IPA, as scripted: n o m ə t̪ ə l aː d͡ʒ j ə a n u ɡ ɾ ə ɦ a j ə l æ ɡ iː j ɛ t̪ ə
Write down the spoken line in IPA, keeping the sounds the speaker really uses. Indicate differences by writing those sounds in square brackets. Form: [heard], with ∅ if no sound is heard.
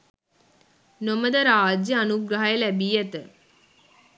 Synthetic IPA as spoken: n o m ə [d̪] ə [ɾ] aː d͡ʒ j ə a n u ɡ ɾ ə ɦ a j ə l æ [b] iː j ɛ t̪ ə